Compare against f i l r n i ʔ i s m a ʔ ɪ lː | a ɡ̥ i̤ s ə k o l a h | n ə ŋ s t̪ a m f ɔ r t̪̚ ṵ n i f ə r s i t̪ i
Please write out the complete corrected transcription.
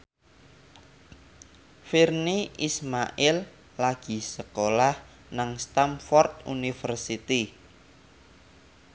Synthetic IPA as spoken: f i r n i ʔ i s m a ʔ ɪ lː | a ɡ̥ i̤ s ə k o l a h | n a ŋ s t̪ a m f ɔ r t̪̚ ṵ n i f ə r s i t̪ i